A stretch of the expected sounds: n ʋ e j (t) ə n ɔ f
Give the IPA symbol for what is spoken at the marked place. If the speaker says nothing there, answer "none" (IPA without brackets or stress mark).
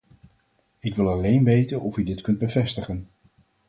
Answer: t